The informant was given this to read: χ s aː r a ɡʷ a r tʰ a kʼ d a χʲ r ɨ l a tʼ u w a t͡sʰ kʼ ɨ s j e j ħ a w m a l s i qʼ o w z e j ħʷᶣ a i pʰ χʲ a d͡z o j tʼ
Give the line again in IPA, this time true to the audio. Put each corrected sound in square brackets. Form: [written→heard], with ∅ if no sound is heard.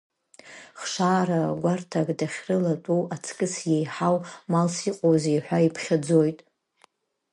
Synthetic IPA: χ [s→ʂ] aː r a ɡʷ a r tʰ a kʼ d a χʲ r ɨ l a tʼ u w a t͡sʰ kʼ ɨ s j e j ħ a w m a l s i qʼ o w z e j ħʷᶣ a i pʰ χʲ a d͡z o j tʼ